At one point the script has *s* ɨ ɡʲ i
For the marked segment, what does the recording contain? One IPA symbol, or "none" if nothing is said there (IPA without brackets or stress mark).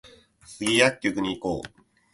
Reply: s